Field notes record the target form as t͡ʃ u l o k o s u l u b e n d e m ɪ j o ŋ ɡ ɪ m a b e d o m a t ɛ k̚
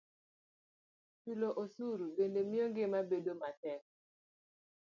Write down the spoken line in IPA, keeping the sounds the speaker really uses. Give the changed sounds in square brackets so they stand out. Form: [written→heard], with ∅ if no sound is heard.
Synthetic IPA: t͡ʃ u l o [k→ʔ] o s u [l→ɾ] u b e n d e m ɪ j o ŋ ɡ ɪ m a b e d o m a t ɛ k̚